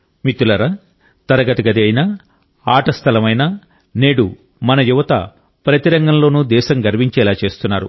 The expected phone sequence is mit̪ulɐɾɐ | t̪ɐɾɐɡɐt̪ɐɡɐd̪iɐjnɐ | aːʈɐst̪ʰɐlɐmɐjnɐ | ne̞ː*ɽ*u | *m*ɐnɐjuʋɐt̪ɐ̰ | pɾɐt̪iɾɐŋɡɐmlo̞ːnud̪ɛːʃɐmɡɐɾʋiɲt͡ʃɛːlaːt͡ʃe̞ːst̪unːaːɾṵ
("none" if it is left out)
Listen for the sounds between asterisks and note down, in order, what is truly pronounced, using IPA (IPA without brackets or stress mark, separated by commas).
ɽ, m